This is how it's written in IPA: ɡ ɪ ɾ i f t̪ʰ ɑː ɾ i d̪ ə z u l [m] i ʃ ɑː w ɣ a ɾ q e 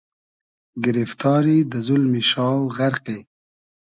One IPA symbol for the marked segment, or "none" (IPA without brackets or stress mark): m